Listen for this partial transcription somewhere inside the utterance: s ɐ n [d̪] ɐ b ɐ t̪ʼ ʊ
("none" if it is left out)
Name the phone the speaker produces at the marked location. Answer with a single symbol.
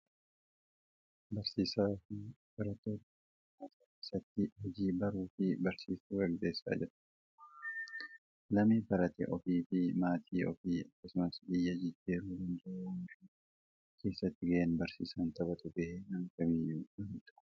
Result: t̪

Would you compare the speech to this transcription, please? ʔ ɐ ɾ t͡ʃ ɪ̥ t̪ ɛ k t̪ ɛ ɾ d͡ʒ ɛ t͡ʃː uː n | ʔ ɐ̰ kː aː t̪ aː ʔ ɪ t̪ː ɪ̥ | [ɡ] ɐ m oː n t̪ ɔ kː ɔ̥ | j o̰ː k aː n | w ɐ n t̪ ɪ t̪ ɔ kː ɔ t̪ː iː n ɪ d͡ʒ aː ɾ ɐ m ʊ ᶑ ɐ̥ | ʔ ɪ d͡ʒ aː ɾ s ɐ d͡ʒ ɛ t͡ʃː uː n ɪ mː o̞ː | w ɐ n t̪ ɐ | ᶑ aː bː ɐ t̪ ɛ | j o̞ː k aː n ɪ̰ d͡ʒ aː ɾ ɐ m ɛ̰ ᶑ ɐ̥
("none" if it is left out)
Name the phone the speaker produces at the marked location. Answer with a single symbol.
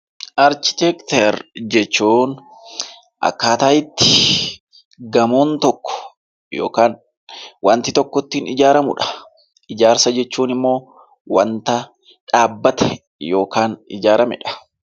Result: ɡ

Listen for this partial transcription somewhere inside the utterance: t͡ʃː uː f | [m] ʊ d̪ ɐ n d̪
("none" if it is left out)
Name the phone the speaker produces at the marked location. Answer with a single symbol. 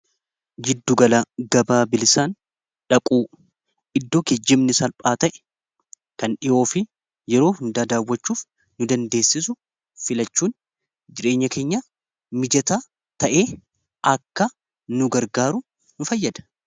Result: n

